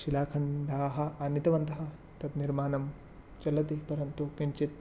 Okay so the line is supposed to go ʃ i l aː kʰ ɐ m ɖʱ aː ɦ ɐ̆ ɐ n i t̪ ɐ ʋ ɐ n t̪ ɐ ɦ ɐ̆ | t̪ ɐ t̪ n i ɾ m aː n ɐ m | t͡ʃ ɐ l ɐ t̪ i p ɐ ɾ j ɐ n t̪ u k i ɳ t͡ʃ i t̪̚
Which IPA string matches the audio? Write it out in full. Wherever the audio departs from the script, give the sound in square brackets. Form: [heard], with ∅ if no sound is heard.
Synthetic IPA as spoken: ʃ i l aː kʰ ɐ [ɳ] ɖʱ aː ɦ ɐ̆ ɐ n i t̪ ɐ ʋ ɐ n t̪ ɐ ɦ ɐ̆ | t̪ ɐ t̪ n i ɾ m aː n ɐ m | t͡ʃ ɐ l ɐ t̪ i p ɐ ɾ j ɐ n t̪ u k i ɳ t͡ʃ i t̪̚